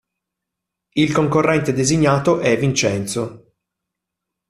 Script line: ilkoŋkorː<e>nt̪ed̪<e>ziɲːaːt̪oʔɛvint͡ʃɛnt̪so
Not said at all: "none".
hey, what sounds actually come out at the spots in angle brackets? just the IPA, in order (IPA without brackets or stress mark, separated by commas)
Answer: ɛ, e